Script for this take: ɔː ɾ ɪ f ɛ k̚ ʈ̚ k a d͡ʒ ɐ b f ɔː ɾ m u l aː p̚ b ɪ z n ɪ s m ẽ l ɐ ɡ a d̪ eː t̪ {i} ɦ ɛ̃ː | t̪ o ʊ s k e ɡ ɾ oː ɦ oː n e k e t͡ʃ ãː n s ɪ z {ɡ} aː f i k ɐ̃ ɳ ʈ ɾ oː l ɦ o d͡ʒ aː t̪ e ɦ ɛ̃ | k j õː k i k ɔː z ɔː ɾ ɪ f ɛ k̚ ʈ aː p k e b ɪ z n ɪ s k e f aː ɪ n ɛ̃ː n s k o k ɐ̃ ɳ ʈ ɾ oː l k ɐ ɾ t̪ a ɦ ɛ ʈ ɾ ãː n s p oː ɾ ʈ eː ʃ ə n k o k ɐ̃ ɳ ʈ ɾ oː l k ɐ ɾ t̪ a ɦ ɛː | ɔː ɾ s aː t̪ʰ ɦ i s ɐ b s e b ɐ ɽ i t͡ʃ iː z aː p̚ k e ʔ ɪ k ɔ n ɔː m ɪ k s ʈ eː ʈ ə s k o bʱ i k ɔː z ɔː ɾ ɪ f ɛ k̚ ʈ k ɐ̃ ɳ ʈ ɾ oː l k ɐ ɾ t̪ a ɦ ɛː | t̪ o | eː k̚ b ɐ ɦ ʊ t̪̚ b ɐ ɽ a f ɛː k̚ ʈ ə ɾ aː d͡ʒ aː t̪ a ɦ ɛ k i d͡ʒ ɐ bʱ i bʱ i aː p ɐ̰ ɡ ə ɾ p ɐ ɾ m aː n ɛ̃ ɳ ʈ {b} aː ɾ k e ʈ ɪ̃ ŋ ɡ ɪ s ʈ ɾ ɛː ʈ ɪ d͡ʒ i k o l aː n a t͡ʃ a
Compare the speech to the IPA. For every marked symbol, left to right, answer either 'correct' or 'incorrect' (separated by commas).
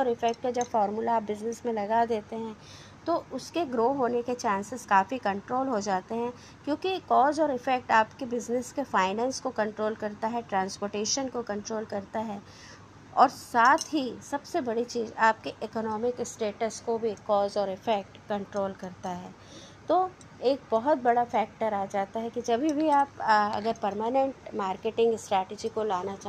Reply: incorrect, incorrect, incorrect